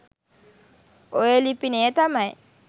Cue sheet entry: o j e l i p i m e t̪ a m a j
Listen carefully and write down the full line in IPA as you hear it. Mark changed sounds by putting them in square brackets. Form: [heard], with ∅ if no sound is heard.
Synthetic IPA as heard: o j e l i p i [n] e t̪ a m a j